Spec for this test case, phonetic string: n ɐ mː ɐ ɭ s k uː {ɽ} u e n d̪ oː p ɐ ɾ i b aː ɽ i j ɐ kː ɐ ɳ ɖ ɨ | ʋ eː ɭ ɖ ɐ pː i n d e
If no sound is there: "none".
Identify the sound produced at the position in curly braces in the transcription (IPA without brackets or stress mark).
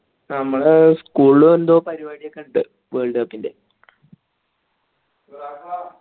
ɭ